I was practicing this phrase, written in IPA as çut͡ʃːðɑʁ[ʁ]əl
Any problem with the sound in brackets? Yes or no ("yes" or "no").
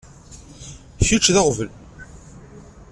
yes